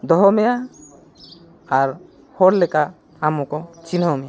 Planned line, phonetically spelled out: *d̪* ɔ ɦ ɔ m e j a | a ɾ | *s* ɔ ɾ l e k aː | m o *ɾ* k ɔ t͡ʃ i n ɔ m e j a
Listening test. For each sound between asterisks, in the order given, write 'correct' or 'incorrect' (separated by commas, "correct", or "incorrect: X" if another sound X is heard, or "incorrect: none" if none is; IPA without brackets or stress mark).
correct, incorrect: h, incorrect: none